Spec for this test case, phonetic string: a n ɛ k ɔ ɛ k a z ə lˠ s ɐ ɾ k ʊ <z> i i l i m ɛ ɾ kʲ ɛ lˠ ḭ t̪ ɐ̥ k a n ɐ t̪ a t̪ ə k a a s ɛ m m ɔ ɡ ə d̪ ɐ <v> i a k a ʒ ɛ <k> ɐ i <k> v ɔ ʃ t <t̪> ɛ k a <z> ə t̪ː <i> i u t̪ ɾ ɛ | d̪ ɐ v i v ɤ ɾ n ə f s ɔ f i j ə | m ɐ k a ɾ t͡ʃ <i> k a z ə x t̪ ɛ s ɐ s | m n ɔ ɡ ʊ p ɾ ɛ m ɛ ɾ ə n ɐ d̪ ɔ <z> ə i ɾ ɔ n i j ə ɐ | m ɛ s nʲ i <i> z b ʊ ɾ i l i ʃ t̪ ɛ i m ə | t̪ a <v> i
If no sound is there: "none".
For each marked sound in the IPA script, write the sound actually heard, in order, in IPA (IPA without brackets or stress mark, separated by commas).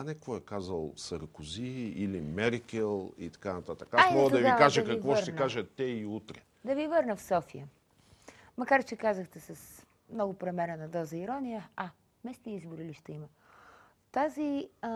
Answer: z, v, k, k, t̪, ʒ, ɛ, ɛ, z, i, z